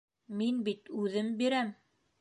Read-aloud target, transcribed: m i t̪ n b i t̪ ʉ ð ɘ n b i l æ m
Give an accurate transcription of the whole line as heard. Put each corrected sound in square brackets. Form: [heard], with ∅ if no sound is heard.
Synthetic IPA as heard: m i [∅] n b i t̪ ʉ ð ɘ [m] b i [ɾ] æ m

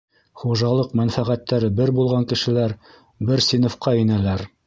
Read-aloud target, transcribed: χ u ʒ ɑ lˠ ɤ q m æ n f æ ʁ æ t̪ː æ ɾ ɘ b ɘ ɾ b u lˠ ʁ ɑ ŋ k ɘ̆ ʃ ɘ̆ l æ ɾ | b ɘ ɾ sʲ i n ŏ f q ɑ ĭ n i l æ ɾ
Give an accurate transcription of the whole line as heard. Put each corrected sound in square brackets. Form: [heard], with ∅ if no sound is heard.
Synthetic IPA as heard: χ u ʒ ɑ lˠ ɤ q m æ n f æ ʁ æ t̪ː æ ɾ ɘ b ɘ ɾ b u lˠ ʁ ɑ ŋ k ɘ̆ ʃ ɘ̆ l æ ɾ | b ɘ ɾ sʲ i n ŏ f q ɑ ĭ n [æ] l æ ɾ

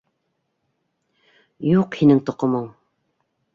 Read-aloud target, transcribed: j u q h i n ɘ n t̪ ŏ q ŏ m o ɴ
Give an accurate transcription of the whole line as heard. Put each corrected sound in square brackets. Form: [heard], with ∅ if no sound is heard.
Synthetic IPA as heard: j u q h i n ɘ [ŋ] t̪ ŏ q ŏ m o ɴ

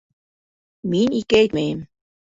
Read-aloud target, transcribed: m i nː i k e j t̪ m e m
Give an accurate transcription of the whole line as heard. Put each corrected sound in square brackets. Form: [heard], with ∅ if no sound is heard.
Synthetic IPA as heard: m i [n] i k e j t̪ m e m

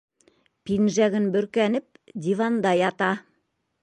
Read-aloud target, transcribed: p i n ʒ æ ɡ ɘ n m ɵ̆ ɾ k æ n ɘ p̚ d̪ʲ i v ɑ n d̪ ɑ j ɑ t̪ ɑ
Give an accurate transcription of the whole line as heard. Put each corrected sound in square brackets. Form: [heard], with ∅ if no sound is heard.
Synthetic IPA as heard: p i n ʒ æ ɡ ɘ n [b] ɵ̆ ɾ k æ n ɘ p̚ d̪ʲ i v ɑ n d̪ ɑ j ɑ t̪ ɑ

